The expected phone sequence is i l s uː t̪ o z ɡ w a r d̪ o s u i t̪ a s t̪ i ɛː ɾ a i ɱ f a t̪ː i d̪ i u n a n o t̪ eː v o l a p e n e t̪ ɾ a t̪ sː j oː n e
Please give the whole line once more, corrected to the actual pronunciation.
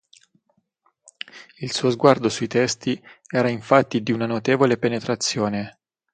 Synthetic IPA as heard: i l s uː o z ɡ w a r d̪ o s u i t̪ ɛ s t̪ i ɛː ɾ a i ɱ f a t̪ː i d̪ i u n a n o t̪ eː v o l e p e n e t̪ ɾ a t̪ sː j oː n e